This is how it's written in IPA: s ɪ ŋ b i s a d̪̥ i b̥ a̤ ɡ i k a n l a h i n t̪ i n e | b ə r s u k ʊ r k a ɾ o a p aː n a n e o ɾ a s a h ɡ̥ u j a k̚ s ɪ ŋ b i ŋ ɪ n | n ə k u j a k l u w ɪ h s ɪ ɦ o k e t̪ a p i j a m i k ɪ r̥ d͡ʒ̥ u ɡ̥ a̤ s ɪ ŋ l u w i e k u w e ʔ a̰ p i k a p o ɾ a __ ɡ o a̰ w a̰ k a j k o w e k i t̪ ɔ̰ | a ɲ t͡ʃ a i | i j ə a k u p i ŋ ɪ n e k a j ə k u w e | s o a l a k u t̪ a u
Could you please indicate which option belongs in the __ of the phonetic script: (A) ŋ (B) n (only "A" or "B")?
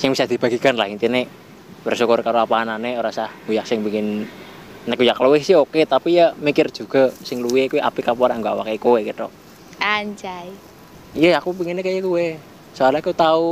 A